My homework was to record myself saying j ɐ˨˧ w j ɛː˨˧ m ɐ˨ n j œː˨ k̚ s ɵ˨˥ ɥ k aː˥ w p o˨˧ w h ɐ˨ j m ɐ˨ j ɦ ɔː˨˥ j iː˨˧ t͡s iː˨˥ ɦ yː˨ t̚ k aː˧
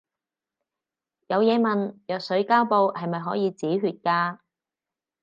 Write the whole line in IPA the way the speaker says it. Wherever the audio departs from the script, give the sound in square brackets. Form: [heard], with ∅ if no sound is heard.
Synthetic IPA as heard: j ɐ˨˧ w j ɛː˨˧ m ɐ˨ n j œː˨ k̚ s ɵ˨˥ ɥ k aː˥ w p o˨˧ w h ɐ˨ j m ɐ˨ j ɦ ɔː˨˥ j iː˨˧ t͡s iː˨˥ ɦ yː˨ t̚ k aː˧